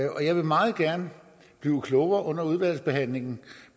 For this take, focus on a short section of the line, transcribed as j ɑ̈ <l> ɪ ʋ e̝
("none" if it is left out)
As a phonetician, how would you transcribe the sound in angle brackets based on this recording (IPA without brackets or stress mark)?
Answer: none